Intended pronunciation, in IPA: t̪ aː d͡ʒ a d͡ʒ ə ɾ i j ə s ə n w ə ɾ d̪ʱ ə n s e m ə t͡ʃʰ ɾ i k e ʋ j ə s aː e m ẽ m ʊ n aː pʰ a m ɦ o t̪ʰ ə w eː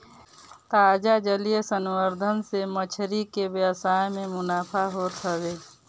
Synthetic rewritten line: t̪ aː d͡ʒ a d͡ʒ ə l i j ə s ə n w ə ɾ d̪ʱ ə n s e m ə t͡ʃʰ ɾ i k e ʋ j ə s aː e m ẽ m ʊ n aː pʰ a ɦ o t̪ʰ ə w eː